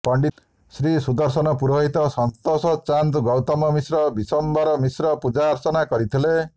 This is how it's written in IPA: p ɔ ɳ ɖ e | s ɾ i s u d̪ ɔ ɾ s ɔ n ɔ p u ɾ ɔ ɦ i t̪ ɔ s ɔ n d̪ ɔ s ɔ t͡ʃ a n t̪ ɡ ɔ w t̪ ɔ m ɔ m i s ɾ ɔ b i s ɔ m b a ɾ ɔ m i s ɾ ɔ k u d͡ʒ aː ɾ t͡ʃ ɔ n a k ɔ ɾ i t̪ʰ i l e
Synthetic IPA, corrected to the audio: p ɔ ɳ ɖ i | s ɾ i s u d̪ ɔ ɾ s ɔ n ɔ p u ɾ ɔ ɦ i t̪ ɔ s ɔ n t̪ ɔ s ɔ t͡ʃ a n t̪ ɡ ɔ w t̪ ɔ m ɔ m i s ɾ ɔ b i s ɔ m b a ɾ ɔ m i s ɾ ɔ p u d͡ʒ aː ɾ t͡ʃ ɔ n a k ɔ ɾ i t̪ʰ i l e